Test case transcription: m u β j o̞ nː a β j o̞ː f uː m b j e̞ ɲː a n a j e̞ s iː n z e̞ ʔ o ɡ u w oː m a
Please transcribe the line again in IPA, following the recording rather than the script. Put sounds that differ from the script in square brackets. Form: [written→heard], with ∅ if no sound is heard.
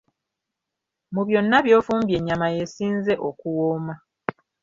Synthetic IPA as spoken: m u β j o̞ nː a β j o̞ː f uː m b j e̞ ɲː a [n→m] a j e̞ s iː n z e̞ ʔ o [ɡ→k] u w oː m a